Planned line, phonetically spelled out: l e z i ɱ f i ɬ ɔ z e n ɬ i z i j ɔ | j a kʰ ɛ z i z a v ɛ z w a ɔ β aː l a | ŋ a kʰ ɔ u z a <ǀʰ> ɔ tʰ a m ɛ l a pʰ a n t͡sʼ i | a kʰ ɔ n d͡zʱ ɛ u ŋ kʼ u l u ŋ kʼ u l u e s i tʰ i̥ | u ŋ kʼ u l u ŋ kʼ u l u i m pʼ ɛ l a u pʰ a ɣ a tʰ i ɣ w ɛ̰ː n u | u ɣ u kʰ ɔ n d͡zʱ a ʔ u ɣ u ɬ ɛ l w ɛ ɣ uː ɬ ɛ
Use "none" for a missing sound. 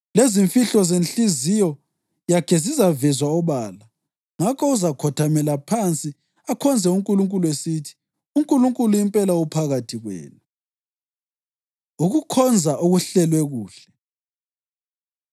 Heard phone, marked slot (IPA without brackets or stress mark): kʰ